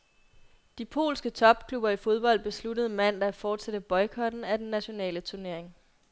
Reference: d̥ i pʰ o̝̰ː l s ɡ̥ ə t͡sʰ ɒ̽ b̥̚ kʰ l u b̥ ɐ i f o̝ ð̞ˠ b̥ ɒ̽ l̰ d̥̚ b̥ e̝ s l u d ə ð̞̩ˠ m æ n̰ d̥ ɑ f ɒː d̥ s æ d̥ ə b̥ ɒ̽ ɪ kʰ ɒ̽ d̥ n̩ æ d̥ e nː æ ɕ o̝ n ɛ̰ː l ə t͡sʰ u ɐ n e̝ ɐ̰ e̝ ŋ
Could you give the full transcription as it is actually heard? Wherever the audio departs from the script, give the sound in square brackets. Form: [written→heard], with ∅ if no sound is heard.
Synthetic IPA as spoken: d̥ i pʰ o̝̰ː l s ɡ̥ ə t͡sʰ ɒ̽ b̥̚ kʰ l u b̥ ɐ i f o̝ ð̞ˠ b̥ ɒ̽ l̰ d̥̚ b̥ e̝ s l u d ə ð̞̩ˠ m æ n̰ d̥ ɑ f ɒː d̥ s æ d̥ ə b̥ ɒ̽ ɪ kʰ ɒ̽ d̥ n̩ æ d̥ e nː æ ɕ o̝ n ɛ̰ː l ə t͡sʰ u ɐ n e̝ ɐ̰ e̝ ŋ